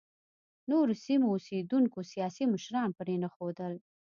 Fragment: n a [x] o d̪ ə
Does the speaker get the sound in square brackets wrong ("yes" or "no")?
no